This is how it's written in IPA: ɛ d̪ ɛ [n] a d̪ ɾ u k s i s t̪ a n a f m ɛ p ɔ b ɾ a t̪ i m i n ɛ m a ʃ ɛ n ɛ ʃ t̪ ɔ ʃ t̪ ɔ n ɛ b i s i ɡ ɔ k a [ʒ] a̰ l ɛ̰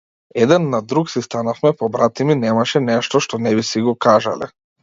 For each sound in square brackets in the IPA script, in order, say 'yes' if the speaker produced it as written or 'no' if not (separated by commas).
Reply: no, yes